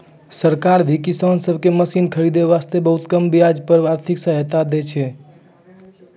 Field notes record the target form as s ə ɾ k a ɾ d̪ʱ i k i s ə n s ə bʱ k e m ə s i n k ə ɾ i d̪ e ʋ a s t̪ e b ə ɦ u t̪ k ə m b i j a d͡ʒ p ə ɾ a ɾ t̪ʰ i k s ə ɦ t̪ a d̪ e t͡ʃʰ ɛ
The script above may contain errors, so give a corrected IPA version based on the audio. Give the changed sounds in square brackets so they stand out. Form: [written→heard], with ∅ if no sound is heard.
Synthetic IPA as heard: s ə ɾ k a ɾ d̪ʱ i k i s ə n s ə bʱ k e m ə s i n [k→kʰ] ə ɾ i d̪ e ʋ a s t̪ e b ə ɦ u t̪ k ə m b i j a d͡ʒ p ə ɾ a ɾ t̪ʰ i k s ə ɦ t̪ a d̪ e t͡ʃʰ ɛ